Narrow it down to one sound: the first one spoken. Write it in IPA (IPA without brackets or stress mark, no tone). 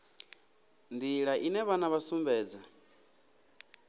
n